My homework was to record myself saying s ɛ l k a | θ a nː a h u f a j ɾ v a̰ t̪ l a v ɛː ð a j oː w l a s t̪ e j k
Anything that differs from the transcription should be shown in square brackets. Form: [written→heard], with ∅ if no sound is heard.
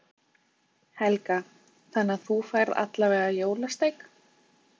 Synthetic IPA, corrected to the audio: [s→h] ɛ l k a | θ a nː a [h→θ] u f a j ɾ [v→ð] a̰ t̪ l a v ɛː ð a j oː w l a s t̪ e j k